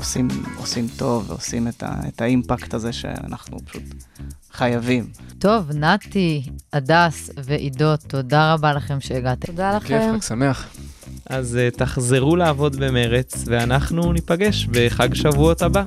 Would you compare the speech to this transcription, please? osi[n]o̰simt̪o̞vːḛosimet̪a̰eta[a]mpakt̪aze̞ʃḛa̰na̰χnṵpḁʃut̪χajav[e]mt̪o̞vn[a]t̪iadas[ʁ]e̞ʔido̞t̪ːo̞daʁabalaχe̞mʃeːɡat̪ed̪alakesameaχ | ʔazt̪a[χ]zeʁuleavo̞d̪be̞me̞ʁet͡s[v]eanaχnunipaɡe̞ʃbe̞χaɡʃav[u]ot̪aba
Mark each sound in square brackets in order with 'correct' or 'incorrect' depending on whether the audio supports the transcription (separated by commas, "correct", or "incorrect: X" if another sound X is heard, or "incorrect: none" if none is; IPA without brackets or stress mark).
incorrect: m, incorrect: i, incorrect: i, correct, incorrect: v, correct, correct, correct